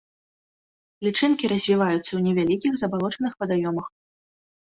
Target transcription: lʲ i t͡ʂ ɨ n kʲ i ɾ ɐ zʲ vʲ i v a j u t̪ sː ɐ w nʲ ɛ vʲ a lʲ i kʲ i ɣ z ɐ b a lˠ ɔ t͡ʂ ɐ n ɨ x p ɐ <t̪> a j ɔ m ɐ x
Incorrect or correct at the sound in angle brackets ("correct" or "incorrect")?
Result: incorrect